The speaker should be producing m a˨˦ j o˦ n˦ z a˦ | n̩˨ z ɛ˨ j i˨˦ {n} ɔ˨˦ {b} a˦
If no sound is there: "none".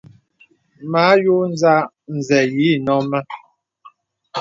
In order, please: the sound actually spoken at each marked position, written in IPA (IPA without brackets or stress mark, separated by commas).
n, m